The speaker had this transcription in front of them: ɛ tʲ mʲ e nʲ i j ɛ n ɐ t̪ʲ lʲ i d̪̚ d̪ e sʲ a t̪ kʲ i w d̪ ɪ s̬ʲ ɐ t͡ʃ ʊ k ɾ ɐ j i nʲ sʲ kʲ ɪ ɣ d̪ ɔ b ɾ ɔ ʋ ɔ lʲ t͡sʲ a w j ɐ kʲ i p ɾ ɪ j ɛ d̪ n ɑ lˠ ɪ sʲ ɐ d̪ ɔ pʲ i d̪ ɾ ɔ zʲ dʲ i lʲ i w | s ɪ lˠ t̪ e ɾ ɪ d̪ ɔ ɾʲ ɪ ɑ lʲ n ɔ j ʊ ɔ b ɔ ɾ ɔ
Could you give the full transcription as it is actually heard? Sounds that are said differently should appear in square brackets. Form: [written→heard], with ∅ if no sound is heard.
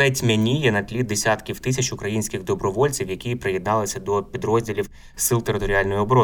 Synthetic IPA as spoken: ɛ tʲ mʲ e nʲ i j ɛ n ɐ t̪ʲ lʲ i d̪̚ d̪ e sʲ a t̪ kʲ i w [d̪→t̪] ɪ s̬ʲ ɐ t͡ʃ ʊ k ɾ ɐ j i nʲ sʲ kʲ ɪ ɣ d̪ ɔ b ɾ ɔ ʋ ɔ lʲ t͡sʲ [a→i] w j ɐ kʲ i p ɾ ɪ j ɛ d̪ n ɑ lˠ ɪ sʲ ɐ d̪ ɔ pʲ i d̪ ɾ ɔ zʲ dʲ i lʲ i w | s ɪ lˠ t̪ e ɾ ɪ [d̪→t̪] ɔ ɾʲ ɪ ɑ lʲ n ɔ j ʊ ɔ b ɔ ɾ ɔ